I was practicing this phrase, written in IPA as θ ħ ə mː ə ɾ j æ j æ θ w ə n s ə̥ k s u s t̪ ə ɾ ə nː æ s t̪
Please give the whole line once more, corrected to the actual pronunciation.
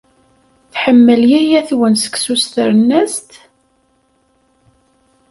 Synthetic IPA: θ ħ ə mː ə l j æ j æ θ w ə n s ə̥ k s u s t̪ ə ɾ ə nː æ s t̪